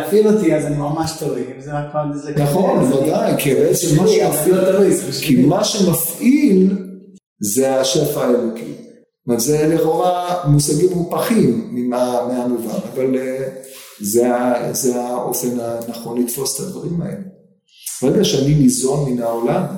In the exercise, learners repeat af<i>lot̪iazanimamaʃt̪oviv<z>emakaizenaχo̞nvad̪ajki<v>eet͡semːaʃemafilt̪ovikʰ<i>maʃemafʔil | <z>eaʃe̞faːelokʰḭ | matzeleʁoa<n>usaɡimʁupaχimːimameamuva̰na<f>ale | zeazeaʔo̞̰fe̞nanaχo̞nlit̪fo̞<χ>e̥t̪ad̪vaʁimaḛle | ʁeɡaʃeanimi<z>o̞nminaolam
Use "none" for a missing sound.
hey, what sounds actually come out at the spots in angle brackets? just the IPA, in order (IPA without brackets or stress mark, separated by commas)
i, z, b, i, z, m, v, s, z